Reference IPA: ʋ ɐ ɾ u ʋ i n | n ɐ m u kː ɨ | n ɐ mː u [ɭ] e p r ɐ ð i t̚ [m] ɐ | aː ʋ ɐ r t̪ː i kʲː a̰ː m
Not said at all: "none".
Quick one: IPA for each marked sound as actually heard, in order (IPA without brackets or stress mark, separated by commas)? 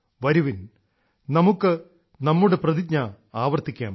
ɽ, ɲ